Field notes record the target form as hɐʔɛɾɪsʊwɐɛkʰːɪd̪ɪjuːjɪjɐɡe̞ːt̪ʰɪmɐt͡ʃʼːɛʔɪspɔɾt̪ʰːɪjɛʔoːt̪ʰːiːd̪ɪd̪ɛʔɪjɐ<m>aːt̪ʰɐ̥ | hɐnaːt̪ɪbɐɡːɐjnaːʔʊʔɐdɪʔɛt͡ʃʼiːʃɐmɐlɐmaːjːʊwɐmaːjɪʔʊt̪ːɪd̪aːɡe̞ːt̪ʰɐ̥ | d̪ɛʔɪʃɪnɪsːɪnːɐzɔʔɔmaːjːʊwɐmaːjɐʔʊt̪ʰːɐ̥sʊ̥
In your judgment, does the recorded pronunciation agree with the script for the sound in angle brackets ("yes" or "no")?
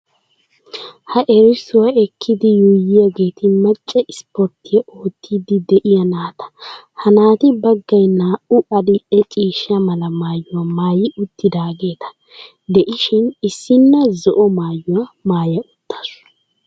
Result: no